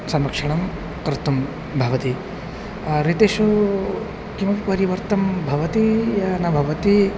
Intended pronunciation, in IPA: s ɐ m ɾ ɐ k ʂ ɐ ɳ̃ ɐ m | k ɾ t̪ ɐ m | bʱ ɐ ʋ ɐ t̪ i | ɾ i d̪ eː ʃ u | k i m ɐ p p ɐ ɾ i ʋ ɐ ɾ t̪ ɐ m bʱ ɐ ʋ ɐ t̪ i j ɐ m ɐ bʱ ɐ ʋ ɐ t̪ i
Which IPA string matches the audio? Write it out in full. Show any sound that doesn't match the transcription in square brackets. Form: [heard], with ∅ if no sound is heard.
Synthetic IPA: s ɐ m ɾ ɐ k ʂ ɐ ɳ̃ ɐ m | k ɾ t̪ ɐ m | bʱ ɐ ʋ ɐ t̪ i | ɾ i [t̪] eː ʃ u | k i m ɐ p p ɐ ɾ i ʋ ɐ ɾ t̪ ɐ m bʱ ɐ ʋ ɐ t̪ i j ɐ [n] ɐ bʱ ɐ ʋ ɐ t̪ i